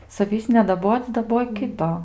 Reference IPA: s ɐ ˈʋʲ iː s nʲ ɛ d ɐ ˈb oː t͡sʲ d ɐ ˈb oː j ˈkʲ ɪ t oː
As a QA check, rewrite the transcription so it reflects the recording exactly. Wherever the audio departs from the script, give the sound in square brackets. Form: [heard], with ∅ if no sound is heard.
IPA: s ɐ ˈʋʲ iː s nʲ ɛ d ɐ ˈb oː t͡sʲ d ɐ ˈb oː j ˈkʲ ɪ t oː